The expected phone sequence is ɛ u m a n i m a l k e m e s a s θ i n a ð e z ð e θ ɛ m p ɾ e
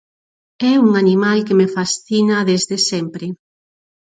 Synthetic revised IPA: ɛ u ŋ a n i m a l k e m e f a s θ i n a ð e z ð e s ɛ m p ɾ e